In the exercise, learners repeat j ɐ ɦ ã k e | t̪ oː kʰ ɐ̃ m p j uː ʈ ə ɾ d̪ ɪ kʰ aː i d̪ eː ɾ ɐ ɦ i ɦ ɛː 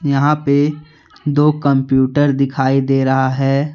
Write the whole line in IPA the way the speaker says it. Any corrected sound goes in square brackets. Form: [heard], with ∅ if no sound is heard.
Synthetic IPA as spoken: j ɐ ɦ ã [p] e | [d̪] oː [k] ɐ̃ m p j uː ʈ ə ɾ d̪ ɪ kʰ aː i d̪ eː ɾ ɐ ɦ [a] ɦ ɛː